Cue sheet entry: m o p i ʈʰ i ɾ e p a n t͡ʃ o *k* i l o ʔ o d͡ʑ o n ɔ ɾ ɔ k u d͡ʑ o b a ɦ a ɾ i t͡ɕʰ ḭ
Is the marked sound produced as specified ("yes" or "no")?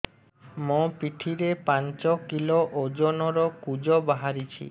yes